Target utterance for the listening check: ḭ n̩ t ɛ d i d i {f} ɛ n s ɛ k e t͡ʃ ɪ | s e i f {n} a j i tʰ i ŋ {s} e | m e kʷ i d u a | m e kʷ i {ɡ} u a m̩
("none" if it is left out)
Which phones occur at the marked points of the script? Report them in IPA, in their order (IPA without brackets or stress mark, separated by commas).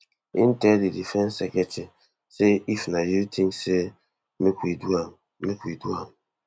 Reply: f, n, s, d